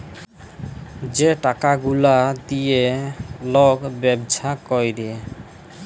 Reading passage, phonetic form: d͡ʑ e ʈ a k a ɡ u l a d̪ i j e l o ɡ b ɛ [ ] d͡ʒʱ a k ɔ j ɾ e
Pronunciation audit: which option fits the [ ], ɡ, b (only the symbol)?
b